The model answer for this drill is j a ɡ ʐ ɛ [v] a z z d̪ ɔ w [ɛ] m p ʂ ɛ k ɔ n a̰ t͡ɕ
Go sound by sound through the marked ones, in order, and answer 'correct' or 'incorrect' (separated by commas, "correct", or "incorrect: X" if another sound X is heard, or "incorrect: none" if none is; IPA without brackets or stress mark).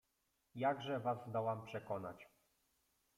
correct, incorrect: a